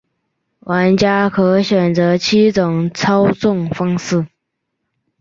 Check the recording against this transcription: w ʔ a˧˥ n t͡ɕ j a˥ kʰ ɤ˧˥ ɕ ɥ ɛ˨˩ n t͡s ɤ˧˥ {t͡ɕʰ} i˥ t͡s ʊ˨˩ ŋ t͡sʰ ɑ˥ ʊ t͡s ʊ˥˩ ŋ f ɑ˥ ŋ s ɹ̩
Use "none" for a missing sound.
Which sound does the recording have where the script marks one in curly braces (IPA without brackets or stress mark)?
t͡ɕʰ